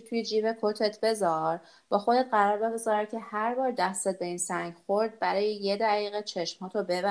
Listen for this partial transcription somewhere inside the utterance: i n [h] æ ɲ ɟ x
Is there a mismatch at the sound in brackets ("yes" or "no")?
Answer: yes